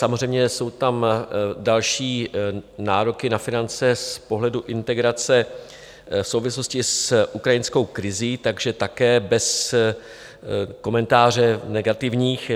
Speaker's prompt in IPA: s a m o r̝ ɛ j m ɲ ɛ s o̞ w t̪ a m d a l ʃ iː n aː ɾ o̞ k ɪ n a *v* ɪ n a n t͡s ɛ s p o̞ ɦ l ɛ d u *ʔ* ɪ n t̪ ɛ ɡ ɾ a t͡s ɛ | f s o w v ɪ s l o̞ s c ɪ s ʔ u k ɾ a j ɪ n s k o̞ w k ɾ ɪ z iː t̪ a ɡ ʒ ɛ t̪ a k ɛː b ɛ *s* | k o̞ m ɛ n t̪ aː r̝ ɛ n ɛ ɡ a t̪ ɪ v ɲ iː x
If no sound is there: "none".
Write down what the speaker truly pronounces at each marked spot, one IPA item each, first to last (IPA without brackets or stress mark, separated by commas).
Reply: f, ʔ, s